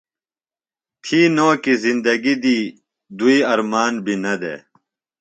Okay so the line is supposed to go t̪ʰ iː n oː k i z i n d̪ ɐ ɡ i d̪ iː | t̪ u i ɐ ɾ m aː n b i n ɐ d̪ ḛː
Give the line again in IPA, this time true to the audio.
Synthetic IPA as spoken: t̪ʰ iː n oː k i z i n d̪ ɐ ɡ i d̪ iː | d̪ u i ɐ ɾ m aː n b i n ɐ d̪ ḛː